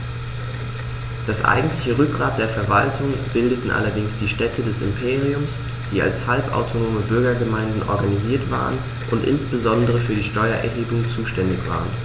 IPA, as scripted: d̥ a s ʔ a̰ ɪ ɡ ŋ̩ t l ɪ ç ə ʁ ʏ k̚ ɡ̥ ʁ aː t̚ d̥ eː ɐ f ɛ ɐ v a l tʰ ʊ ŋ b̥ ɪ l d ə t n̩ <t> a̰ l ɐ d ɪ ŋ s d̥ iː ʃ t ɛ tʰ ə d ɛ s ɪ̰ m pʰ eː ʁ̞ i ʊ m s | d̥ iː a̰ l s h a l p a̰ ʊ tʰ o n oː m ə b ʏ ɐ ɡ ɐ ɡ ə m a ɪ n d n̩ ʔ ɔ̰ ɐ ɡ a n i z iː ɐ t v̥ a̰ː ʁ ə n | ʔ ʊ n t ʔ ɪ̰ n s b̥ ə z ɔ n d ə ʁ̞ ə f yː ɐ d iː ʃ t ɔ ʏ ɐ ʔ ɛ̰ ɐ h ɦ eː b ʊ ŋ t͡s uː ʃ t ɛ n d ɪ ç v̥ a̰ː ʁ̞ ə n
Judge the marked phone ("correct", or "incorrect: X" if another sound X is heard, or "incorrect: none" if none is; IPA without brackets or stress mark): incorrect: ʔ